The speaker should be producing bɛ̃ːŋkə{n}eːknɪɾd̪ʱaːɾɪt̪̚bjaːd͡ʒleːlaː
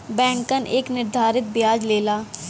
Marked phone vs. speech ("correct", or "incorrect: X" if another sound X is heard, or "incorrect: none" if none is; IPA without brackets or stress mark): correct